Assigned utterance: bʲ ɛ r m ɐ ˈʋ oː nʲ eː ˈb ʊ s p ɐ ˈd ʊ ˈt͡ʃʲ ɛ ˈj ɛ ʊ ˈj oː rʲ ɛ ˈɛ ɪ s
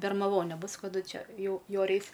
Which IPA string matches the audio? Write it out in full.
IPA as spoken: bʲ ɛ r m ɐ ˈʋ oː nʲ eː ˈb ʊ s k ɐ ˈd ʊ ˈt͡ʃʲ ɛ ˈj ɛ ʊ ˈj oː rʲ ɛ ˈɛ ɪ s